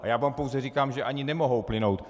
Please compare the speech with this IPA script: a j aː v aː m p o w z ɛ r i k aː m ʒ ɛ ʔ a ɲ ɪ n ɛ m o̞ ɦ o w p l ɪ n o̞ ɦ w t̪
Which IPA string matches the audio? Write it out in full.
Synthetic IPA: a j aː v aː m p o w z ɛ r i k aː m ʒ ɛ ʔ a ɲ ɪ n ɛ m o̞ ɦ o w p l ɪ n o̞ w t̪